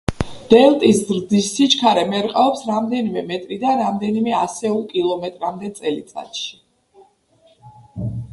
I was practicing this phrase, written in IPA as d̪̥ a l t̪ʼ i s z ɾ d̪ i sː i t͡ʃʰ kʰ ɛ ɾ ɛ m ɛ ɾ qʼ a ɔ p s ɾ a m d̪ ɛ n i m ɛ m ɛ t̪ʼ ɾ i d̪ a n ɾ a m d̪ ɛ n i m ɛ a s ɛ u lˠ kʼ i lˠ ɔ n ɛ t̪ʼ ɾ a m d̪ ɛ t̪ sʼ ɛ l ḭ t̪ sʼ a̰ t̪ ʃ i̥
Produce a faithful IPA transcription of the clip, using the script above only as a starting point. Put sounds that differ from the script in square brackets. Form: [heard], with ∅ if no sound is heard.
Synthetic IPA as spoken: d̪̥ [ɛ] l t̪ʼ i s z ɾ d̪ i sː i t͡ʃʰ kʰ [a] ɾ ɛ m ɛ ɾ qʼ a ɔ p s ɾ a m d̪ ɛ n i m ɛ m ɛ t̪ʼ ɾ i d̪ a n ɾ a m d̪ ɛ n i m ɛ a s ɛ u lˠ kʼ i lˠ ɔ [m] ɛ t̪ʼ ɾ a m d̪ ɛ t̪ sʼ ɛ l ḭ t̪ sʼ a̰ t̪ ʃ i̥

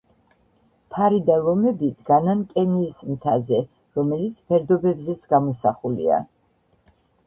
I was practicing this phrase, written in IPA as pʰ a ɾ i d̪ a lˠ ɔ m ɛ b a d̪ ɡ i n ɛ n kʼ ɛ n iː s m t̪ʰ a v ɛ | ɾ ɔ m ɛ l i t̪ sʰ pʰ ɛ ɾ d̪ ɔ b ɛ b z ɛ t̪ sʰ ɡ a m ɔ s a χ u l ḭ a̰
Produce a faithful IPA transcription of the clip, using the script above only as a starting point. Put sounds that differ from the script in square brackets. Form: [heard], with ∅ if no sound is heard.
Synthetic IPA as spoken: pʰ a ɾ i d̪ a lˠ ɔ m ɛ b [i] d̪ ɡ [a] n [a] n kʼ ɛ n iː s m t̪ʰ a [z] ɛ | ɾ ɔ m ɛ l i t̪ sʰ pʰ ɛ ɾ d̪ ɔ b ɛ b z ɛ t̪ sʰ ɡ a m ɔ s a χ u l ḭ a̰

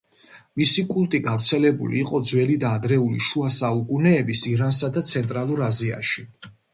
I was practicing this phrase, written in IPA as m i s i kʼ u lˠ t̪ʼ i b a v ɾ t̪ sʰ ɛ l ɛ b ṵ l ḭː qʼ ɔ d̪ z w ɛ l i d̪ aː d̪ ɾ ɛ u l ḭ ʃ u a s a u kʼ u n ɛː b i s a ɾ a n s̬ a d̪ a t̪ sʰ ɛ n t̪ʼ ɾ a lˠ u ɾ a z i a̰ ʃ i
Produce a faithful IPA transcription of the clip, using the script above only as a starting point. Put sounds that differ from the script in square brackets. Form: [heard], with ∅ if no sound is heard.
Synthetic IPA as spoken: m i s i kʼ u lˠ t̪ʼ i [ɡ] a v ɾ t̪ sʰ ɛ l ɛ b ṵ l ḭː qʼ ɔ d̪ z w ɛ l i d̪ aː d̪ ɾ ɛ u l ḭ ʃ u a s a u kʼ u n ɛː b i s [i] ɾ a n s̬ a d̪ a t̪ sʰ ɛ n t̪ʼ ɾ a lˠ u ɾ a z i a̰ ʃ i

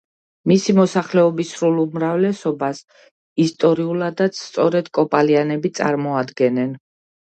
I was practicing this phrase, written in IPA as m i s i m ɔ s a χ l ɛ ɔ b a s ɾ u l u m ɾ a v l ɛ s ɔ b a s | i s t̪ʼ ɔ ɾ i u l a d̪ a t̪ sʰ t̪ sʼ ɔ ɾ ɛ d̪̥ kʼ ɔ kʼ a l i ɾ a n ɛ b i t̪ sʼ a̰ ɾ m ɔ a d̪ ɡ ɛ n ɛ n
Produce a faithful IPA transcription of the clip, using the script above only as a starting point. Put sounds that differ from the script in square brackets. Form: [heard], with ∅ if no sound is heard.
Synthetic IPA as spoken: m i s i m ɔ s a χ l ɛ ɔ b [i] s ɾ u l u m ɾ a v l ɛ s ɔ b a s | i s t̪ʼ ɔ ɾ i u l a d̪ a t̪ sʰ t̪ sʼ ɔ ɾ ɛ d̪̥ kʼ ɔ [pʼ] a l i [∅] a n ɛ b i t̪ sʼ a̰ ɾ m ɔ a d̪ ɡ ɛ n ɛ n

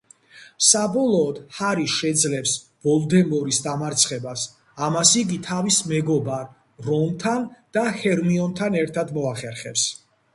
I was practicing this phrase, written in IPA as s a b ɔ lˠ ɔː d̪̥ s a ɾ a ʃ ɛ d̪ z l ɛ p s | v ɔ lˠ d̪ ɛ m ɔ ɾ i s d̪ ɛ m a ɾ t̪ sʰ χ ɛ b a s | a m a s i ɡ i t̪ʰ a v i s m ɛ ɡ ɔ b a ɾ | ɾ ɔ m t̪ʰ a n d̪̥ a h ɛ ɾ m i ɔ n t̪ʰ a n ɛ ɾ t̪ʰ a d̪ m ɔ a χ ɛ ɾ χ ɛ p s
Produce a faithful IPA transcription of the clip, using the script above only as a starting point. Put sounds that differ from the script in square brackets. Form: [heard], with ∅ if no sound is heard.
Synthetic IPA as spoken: s a b ɔ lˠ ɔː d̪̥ [h] a ɾ [i] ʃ ɛ d̪ z l ɛ p s | v ɔ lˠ d̪ ɛ m ɔ ɾ i s d̪ [a] m a ɾ t̪ sʰ χ ɛ b a s | a m a s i ɡ i t̪ʰ a v i s m ɛ ɡ ɔ b a ɾ | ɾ ɔ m t̪ʰ a n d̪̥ a h ɛ ɾ m i ɔ n t̪ʰ a n ɛ ɾ t̪ʰ a d̪ m ɔ a χ ɛ ɾ χ ɛ p s

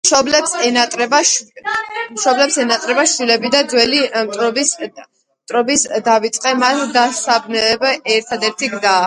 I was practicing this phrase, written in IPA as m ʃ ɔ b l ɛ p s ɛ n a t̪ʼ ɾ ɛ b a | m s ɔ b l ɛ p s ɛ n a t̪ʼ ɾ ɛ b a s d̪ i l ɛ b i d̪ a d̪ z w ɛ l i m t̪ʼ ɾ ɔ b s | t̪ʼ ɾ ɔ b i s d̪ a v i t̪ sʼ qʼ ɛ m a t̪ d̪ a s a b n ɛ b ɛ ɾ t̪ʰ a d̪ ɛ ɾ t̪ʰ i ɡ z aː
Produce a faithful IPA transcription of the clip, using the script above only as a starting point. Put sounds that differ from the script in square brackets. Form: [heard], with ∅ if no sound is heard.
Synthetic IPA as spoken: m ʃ ɔ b l ɛ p s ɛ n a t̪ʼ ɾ ɛ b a | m [ʃ] ɔ b l ɛ p s ɛ n a t̪ʼ ɾ ɛ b a [ʃ] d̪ i l ɛ b i d̪ a d̪ z w ɛ l i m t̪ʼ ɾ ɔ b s | t̪ʼ ɾ ɔ b i s d̪ a v i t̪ sʼ qʼ ɛ m a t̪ d̪ a s a b n ɛ b ɛ ɾ t̪ʰ a d̪ ɛ ɾ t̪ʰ i ɡ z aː

